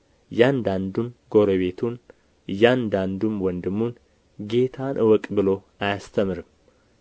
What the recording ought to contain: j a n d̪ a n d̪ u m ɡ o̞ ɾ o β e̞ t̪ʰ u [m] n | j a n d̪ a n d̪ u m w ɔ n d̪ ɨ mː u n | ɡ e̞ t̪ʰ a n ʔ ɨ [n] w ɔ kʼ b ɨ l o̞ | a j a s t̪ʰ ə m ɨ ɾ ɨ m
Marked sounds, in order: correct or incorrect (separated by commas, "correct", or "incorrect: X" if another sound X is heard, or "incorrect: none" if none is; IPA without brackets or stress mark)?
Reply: incorrect: none, incorrect: none